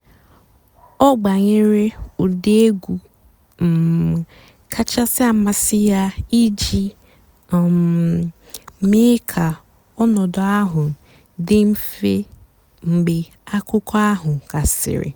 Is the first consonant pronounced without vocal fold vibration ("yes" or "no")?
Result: no